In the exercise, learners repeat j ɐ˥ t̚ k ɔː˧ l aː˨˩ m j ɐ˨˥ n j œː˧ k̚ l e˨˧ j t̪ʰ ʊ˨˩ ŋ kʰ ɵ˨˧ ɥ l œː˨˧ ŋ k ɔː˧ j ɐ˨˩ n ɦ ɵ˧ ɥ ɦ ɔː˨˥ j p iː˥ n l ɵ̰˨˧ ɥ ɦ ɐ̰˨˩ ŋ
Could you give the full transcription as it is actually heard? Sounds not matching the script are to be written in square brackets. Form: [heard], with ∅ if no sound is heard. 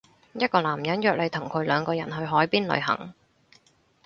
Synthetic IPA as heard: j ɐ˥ t̚ k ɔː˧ l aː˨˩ m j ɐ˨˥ n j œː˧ k̚ l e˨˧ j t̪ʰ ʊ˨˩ ŋ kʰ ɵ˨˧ ɥ l œː˨˧ ŋ k ɔː˧ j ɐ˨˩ n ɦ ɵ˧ ɥ ɦ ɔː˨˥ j p iː˥ n l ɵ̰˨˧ ɥ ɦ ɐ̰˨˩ ŋ